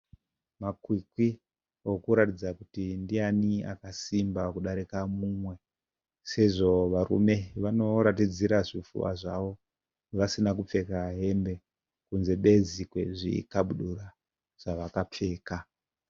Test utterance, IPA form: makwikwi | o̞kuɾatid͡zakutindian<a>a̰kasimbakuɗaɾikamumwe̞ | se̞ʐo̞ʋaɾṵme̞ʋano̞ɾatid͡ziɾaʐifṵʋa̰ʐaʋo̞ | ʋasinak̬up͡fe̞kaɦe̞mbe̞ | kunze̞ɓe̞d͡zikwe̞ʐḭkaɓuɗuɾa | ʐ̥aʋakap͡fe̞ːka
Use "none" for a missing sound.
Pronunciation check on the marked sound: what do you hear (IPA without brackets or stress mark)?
i